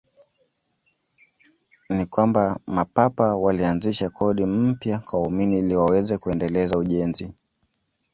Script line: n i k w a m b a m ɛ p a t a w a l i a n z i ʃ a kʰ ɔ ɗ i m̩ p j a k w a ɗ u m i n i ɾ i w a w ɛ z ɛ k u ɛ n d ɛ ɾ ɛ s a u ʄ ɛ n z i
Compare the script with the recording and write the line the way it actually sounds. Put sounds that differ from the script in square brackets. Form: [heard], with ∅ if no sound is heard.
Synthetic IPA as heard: n i k w a m b a m [a] p a [p] a w a l i a n z i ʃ a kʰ ɔ ɗ i m̩ p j a k w a [∅] u m i n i [l] i w a w ɛ z ɛ k u ɛ n d ɛ [l] ɛ [z] a u ʄ ɛ n z i